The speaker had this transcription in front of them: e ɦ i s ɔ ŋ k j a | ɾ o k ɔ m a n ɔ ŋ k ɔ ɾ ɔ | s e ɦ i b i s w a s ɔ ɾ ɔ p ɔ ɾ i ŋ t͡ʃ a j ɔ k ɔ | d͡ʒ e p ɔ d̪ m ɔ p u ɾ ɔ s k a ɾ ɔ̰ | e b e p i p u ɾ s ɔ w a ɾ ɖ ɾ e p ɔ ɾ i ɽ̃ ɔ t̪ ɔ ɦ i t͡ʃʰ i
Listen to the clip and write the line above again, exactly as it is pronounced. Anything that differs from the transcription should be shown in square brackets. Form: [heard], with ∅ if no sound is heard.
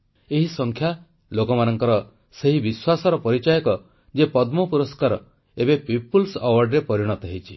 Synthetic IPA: e ɦ i s ɔ ŋ [kʰ] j a | [l] o k ɔ m a n ɔ ŋ k ɔ ɾ ɔ | s e ɦ i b i s w a s ɔ ɾ ɔ p ɔ ɾ i [∅] t͡ʃ a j ɔ k ɔ | d͡ʒ e p ɔ d̪ m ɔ p u ɾ ɔ s k a ɾ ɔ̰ | e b e p i p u [l] s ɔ w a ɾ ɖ ɾ e p ɔ ɾ i ɽ̃ ɔ t̪ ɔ ɦ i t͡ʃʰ i